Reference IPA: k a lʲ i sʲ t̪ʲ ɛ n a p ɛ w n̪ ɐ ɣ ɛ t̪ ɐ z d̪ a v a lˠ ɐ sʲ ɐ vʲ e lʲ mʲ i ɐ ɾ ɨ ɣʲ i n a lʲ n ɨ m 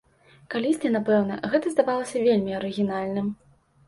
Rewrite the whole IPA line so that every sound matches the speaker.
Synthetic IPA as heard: k a lʲ i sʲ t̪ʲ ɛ n a p ɛ w n̪ ɐ ɣ ɛ t̪ ɐ z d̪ a v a lˠ ɐ sʲ ɐ vʲ e lʲ mʲ i ɐ ɾ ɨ ɣʲ i n a lʲ n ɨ m